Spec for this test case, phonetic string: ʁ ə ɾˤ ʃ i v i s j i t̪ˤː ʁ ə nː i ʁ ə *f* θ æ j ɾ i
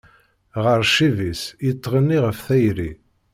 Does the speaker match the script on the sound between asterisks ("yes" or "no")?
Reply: yes